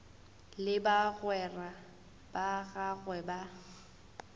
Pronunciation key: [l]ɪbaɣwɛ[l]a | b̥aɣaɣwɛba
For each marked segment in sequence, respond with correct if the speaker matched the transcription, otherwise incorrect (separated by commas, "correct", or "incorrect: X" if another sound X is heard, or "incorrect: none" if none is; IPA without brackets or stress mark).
correct, incorrect: r